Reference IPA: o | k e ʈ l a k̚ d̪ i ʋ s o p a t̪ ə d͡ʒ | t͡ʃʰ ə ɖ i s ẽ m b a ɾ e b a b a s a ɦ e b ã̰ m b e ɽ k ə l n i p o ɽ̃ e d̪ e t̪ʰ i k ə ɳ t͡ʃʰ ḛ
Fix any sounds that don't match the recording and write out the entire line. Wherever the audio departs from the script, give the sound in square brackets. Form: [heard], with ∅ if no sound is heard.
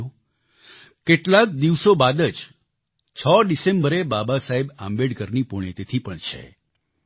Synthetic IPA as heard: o | k e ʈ l a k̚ d̪ i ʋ s o [b] a [d̪] ə d͡ʒ | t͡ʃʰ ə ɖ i s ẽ m b [ə] ɾ e b a b a s a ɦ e b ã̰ m b e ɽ k ə [ɾ] n i p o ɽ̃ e [t̪] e t̪ʰ i [p] ə ɳ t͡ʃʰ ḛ